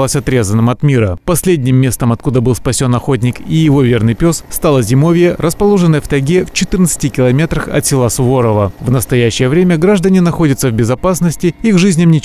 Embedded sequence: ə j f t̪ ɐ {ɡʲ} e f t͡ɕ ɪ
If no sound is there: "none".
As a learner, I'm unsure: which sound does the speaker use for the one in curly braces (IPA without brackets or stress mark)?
ɡʲ